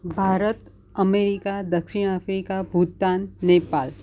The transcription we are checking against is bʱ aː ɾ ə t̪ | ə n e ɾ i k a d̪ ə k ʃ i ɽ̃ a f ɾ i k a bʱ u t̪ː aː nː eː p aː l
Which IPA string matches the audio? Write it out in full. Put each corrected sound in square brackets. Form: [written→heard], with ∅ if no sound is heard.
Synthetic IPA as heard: bʱ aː ɾ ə t̪ | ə [n→m] e ɾ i k a d̪ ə k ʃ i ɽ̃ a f ɾ i k a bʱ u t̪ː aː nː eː p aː l

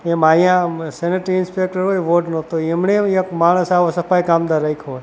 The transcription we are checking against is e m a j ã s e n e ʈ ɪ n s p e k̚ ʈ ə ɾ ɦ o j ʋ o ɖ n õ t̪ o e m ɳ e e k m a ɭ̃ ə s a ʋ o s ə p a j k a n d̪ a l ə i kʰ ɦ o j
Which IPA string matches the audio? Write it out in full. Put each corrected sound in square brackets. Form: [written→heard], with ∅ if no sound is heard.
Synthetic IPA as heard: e m a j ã s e n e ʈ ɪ n s p e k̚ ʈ ə ɾ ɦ o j ʋ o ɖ n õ t̪ o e m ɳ e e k m a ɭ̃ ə s a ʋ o s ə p a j k a [n→m] d̪ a [l→ɾ] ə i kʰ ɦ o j

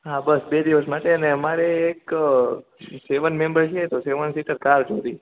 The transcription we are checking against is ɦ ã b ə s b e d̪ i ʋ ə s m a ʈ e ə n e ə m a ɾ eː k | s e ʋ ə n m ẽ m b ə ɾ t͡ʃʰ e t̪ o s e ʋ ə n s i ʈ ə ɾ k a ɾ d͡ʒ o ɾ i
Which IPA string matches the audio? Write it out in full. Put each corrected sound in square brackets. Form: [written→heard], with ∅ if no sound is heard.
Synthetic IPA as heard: ɦ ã b ə s b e d̪ i ʋ ə s m a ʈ e ə n e ə m a ɾ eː k | s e ʋ ə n m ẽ m b ə ɾ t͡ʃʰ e t̪ o s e ʋ ə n s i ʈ ə ɾ k a ɾ d͡ʒ o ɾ i

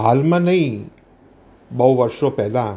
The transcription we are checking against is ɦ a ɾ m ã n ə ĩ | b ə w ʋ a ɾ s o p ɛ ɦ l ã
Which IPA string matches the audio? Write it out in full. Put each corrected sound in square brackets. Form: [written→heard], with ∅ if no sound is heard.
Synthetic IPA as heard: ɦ a [ɾ→l] m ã n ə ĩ | b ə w ʋ [a→ə] ɾ [s→ʃ] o p ɛ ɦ l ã

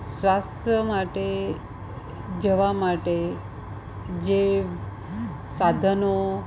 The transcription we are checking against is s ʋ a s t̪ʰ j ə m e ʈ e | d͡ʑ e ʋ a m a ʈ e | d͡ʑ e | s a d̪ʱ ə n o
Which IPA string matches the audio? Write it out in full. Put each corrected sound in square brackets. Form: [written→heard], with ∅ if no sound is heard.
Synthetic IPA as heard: s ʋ a s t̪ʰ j ə m [e→a] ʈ e | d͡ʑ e ʋ a m a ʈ e | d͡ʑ e | s a d̪ʱ ə n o

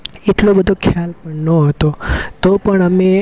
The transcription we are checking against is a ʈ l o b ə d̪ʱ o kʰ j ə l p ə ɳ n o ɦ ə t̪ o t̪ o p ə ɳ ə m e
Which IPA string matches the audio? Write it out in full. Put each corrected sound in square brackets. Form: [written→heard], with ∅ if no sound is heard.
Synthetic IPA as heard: [a→e] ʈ l o b ə d̪ʱ o kʰ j [ə→a] l p ə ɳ n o ɦ ə t̪ o t̪ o p ə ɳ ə m e

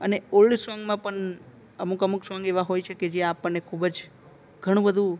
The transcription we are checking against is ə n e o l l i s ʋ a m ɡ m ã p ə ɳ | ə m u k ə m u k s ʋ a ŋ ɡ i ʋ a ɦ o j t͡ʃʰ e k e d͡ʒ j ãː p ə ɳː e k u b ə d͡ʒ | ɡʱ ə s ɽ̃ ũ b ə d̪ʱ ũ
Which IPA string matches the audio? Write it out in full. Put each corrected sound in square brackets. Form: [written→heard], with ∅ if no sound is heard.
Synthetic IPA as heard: ə n e o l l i s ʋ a [m→ŋ] ɡ m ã p ə ɳ | ə m u k ə m u k s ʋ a ŋ ɡ [i→e] ʋ a ɦ o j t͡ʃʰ e k e d͡ʒ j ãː p ə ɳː e [k→kʰ] u b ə d͡ʒ | ɡʱ ə [s→∅] ɽ̃ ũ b ə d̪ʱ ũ

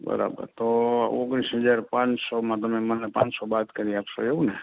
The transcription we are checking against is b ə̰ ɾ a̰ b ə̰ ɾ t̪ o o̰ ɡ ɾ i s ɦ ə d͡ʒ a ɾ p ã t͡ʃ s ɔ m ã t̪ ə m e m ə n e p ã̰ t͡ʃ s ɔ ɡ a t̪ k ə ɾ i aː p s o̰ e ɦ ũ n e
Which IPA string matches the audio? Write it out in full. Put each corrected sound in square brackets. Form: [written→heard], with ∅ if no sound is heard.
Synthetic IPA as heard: b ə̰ ɾ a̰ b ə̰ ɾ t̪ o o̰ ɡ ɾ i s ɦ ə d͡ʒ a ɾ p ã t͡ʃ s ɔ m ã t̪ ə m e m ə n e p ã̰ t͡ʃ s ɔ [ɡ→b] a t̪ k ə ɾ i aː p s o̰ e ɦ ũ n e

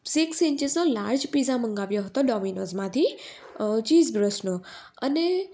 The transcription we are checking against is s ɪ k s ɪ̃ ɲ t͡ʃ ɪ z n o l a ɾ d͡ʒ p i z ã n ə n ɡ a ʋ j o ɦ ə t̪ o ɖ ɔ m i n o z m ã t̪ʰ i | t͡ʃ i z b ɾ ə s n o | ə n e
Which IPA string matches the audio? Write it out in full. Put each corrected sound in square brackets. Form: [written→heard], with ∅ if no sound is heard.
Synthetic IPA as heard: s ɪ k s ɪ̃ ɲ t͡ʃ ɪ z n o l a ɾ d͡ʒ p i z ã [n→m] ə [n→ŋ] ɡ a ʋ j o ɦ ə t̪ o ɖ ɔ m i n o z m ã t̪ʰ i | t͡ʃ i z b ɾ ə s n o | ə n e

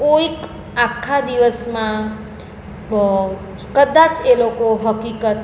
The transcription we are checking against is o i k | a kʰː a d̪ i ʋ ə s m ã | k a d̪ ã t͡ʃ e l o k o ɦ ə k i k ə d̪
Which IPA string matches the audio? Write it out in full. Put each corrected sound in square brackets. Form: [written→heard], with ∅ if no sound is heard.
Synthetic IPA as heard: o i k | a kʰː a d̪ i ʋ ə s m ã | k [a→ə] d̪ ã t͡ʃ e l o k o ɦ ə k i k ə [d̪→t̪]

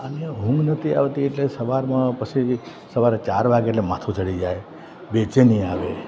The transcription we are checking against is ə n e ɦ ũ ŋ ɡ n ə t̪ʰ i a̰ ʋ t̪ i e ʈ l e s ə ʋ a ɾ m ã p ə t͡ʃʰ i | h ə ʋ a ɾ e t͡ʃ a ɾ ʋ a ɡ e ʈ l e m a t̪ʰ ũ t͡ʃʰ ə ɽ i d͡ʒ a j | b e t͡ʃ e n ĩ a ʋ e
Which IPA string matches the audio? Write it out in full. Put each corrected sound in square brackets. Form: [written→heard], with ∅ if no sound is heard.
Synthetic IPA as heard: ə n e ɦ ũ ŋ ɡ n ə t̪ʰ i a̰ ʋ t̪ i e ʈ l e s ə ʋ a ɾ m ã p ə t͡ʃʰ i | [h→s] ə ʋ a ɾ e t͡ʃ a ɾ ʋ a ɡ e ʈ l e m a t̪ʰ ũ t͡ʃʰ ə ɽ i d͡ʒ a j | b e t͡ʃ e n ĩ a ʋ e

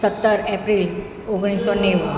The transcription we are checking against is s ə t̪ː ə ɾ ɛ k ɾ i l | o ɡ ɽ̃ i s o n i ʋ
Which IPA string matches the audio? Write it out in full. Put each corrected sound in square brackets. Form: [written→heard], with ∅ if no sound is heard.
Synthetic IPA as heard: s ə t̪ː ə ɾ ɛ [k→p] ɾ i l | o ɡ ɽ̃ i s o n [i→e] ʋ

